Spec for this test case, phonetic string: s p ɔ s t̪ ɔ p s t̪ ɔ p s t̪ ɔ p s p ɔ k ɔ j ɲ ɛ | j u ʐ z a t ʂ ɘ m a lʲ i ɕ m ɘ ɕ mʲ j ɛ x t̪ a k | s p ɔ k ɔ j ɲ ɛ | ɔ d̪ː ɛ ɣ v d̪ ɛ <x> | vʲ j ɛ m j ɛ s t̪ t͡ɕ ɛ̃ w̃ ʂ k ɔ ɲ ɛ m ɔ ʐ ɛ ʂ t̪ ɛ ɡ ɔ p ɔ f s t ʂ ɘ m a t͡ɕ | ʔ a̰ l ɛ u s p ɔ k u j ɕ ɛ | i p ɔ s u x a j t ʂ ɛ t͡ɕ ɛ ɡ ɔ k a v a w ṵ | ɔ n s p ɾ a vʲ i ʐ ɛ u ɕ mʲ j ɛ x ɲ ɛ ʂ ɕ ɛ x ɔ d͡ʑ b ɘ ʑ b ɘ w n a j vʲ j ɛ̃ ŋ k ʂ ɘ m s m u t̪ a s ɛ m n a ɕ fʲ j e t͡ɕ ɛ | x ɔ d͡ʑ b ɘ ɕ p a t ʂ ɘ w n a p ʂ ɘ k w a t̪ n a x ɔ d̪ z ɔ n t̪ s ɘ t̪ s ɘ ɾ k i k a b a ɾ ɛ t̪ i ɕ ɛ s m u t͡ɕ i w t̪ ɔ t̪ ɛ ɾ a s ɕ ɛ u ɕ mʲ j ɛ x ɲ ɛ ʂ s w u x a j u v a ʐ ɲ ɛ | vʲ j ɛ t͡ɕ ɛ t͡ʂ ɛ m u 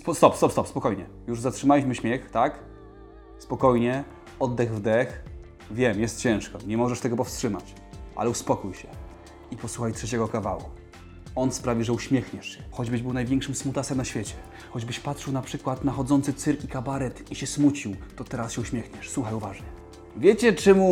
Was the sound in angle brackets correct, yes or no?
yes